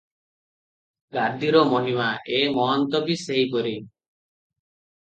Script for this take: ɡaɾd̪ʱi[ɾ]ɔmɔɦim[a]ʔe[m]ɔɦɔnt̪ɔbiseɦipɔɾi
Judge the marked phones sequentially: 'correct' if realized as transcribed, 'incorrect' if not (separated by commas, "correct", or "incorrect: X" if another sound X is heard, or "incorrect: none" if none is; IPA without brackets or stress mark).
correct, correct, correct